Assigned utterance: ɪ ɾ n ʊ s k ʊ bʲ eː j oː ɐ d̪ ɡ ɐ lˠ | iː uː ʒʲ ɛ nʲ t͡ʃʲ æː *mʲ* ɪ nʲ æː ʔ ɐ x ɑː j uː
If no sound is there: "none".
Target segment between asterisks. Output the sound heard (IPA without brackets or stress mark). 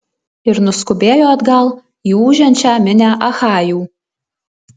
mʲ